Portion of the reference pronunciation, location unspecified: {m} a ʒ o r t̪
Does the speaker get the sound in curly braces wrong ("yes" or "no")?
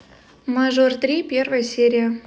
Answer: no